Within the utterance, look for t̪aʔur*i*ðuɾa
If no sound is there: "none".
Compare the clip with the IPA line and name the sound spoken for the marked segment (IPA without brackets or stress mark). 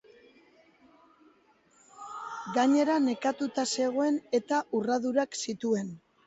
a